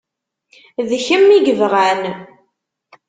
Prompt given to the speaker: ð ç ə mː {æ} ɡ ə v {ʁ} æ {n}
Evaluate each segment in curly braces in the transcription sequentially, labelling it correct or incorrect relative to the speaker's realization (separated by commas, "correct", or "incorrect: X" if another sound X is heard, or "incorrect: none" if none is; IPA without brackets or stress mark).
incorrect: i, correct, correct